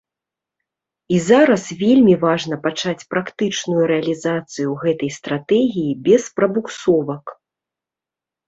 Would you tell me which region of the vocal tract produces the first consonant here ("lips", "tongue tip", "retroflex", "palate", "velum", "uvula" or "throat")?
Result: tongue tip